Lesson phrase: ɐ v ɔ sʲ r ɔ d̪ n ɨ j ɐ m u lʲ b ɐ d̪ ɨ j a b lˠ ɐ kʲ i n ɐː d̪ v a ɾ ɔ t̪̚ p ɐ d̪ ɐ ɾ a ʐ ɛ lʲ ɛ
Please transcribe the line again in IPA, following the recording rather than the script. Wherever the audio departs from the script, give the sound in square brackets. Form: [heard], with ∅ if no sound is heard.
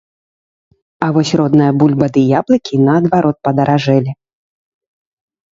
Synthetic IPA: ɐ v ɔ sʲ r ɔ d̪ n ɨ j ɐ [b] u lʲ b ɐ d̪ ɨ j a b lˠ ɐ kʲ i n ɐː d̪ v a ɾ ɔ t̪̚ p ɐ d̪ ɐ ɾ a ʐ ɛ lʲ [i]